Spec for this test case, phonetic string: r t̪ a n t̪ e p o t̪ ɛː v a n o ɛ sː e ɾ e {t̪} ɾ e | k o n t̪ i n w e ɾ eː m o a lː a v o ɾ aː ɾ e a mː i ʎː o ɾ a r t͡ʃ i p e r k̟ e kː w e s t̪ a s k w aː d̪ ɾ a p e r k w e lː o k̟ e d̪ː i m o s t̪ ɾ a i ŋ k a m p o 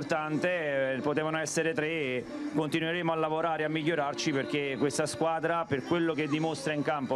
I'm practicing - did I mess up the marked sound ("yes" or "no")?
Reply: no